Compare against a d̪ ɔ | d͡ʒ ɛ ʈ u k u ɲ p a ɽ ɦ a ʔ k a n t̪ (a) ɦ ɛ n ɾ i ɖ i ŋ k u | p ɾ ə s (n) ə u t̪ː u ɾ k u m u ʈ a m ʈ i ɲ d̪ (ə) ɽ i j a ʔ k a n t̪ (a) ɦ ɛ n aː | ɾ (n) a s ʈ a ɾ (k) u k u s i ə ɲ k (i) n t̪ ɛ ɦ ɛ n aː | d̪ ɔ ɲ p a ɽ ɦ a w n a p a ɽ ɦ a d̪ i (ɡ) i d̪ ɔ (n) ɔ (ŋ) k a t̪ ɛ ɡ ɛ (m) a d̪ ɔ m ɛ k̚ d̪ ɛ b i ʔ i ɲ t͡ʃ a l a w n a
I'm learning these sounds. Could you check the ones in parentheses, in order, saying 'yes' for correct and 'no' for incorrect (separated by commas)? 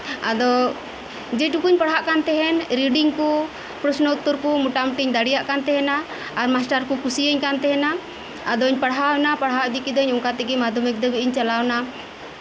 no, yes, no, no, no, yes, no, no, no, yes, yes